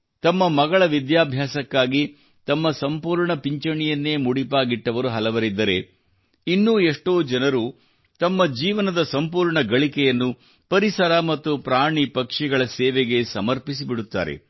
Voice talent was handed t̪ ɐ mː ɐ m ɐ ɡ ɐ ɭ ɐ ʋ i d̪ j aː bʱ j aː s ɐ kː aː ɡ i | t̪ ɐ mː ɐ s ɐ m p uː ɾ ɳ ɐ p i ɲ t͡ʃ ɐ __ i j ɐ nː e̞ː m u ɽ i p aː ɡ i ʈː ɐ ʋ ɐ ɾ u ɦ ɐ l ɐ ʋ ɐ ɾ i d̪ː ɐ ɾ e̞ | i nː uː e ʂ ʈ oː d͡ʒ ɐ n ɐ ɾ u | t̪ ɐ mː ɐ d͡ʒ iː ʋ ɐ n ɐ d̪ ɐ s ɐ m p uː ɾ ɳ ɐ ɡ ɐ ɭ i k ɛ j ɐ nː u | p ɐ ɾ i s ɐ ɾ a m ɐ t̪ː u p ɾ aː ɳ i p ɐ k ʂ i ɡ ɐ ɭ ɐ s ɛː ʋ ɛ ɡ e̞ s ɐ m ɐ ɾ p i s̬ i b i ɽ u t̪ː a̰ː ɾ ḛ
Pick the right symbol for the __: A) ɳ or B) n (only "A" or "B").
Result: A